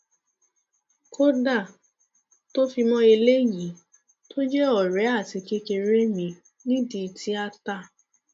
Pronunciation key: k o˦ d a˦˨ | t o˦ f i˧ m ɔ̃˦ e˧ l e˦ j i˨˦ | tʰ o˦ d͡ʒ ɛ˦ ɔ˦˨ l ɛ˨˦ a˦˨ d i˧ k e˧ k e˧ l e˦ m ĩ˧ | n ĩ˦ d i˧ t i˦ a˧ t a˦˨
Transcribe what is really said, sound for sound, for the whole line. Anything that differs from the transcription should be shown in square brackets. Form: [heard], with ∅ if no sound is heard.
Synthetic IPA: k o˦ d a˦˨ | t o˦ f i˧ m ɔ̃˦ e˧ l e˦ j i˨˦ | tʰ o˦ d͡ʒ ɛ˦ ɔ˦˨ [ɾ] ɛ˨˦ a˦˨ [t] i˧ k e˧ k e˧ [ɾ] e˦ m ĩ˧ | n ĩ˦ d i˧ t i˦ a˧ t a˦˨